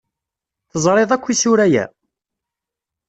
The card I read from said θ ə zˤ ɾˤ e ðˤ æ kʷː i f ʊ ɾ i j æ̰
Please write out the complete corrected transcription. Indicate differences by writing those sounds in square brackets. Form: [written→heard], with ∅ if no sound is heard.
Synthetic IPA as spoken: θ ə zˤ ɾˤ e ðˤ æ kʷː i [f→s] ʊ ɾ [i→æ] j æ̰